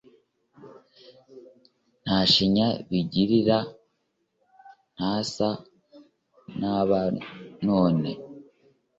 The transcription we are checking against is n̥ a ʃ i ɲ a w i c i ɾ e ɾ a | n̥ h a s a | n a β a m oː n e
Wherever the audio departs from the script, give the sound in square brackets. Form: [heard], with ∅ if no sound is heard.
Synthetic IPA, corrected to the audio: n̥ a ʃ i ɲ a [β] i [ɟ] i ɾ [i] ɾ a | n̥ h a s a | n a β a [n] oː n e